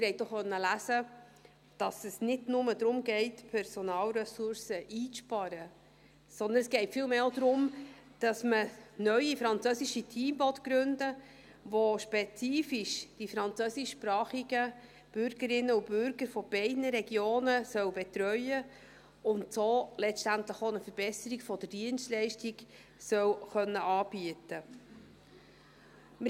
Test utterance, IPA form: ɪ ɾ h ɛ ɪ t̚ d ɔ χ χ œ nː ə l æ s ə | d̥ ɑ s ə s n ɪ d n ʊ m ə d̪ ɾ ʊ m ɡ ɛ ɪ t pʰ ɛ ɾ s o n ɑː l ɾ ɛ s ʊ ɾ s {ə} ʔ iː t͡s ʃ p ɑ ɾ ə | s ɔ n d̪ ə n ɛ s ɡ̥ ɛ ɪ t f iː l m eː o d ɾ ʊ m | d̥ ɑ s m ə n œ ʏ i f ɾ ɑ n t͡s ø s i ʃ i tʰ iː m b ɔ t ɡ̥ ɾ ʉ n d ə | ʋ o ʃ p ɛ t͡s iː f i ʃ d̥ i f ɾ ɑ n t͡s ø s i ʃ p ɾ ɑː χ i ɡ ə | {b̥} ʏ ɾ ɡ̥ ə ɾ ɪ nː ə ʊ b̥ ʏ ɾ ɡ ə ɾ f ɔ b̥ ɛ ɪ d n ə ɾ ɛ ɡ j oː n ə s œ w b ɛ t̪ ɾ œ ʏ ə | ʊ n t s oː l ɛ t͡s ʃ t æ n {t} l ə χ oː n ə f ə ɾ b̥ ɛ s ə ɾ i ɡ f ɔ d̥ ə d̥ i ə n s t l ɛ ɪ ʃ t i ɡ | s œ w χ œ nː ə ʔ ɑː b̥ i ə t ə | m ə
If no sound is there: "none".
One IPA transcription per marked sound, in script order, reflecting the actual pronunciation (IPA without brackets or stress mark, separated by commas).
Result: ə, b̥, t